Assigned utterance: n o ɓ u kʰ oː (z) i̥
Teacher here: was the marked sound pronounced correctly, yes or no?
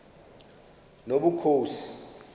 no